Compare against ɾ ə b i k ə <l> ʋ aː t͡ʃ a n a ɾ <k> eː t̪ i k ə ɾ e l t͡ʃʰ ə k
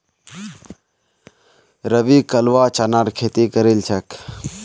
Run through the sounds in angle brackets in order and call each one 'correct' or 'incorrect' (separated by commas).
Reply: correct, incorrect